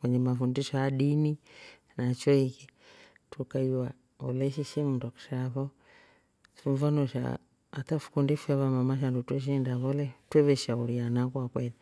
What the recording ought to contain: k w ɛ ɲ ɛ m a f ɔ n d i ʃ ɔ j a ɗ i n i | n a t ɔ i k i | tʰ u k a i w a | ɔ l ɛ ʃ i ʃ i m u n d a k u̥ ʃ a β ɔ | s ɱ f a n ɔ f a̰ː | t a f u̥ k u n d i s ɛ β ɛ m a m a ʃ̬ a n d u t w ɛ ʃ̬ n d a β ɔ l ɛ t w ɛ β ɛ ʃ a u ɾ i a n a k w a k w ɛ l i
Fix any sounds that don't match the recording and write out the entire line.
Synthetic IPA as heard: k w ɛ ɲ ɛ m a f u n d i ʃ ɔ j a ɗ i n i | n a t͡ʃ ɔ i k i | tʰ u k a i w a | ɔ l ɛ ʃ i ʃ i m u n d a k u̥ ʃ a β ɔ | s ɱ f a n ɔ ʃ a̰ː | t a f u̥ k u n d i f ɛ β a m a m a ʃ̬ a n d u t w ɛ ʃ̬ n d a β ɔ l ɛ t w ɛ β ɛ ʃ a u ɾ i a n a k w a k w ɛ l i